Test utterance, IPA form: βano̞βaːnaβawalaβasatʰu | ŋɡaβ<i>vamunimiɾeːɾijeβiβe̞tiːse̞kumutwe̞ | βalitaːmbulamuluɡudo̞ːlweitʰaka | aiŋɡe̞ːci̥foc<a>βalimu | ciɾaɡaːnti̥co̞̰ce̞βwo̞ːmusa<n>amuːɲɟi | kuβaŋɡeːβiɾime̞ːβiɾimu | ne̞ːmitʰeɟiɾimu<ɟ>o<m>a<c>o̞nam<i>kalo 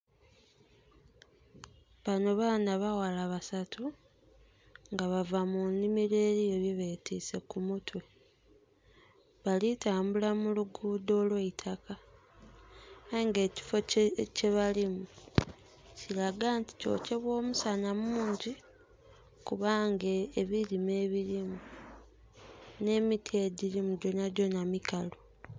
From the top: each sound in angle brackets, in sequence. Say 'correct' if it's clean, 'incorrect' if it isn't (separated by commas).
incorrect, incorrect, correct, correct, incorrect, incorrect, correct